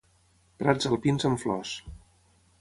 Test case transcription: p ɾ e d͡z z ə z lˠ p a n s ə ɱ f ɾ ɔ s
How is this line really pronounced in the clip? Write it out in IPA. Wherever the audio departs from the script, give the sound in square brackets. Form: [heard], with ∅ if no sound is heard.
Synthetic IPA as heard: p ɾ [a] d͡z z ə [∅] lˠ p [i] n [z] ə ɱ f [l] ɔ s